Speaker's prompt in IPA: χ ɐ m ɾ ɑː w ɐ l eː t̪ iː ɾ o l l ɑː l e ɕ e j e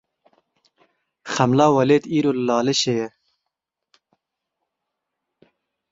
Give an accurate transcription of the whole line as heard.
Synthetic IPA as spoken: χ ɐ m l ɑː w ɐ l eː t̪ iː ɾ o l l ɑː l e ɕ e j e